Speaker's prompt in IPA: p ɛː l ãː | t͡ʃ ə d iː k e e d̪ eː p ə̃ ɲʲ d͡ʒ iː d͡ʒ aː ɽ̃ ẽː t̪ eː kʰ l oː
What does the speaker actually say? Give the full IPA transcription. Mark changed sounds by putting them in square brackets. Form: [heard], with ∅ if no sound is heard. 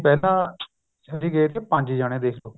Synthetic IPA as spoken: p ɛː l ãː | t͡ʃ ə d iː [ɡ] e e [t̪] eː p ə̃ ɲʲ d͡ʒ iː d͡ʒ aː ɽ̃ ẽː [d̪] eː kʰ l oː